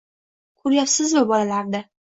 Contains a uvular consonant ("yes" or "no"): no